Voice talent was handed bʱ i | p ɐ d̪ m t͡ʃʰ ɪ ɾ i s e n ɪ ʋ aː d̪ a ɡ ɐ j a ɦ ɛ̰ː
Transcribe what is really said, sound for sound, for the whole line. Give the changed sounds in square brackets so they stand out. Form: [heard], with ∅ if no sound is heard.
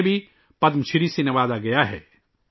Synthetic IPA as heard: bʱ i | p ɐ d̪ m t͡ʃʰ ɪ ɾ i s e n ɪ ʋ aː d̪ a ɡ ɐ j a ɦ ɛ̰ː

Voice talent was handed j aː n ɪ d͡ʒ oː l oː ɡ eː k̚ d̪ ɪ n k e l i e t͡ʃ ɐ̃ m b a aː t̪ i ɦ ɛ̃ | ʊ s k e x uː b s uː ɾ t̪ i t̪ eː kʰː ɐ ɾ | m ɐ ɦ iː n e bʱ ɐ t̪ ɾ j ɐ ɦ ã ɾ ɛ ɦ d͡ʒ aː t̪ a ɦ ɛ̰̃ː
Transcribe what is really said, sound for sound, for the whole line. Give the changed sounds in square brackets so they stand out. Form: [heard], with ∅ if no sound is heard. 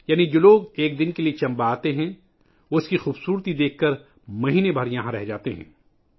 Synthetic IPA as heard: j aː n [i] d͡ʒ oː l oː ɡ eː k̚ d̪ ɪ n k e l i e t͡ʃ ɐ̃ m b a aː t̪ [e] ɦ ɛ̃ | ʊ s k [i] x uː b s uː ɾ t̪ i [d̪] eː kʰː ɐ ɾ | m ɐ ɦ iː n e bʱ ɐ [∅] ɾ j ɐ ɦ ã ɾ ɛ ɦ d͡ʒ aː t̪ [e] ɦ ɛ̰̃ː

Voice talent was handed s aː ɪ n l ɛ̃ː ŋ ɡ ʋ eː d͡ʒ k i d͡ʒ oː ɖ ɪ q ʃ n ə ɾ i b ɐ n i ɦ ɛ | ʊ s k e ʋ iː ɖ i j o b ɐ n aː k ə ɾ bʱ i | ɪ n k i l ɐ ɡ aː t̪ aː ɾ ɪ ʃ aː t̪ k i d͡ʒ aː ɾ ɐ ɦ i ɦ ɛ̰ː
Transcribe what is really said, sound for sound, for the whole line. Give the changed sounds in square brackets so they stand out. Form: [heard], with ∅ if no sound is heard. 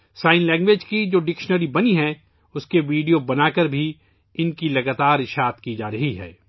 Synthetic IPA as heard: s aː ɪ n l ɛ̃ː ŋ ɡ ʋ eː d͡ʒ k i d͡ʒ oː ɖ ɪ [k] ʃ n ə ɾ i b ɐ n i ɦ ɛ | ʊ s k e ʋ iː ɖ i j o b ɐ n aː k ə ɾ bʱ i | ɪ n k i l ɐ ɡ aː t̪ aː ɾ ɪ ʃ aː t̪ k i d͡ʒ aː ɾ ɐ ɦ i ɦ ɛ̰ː

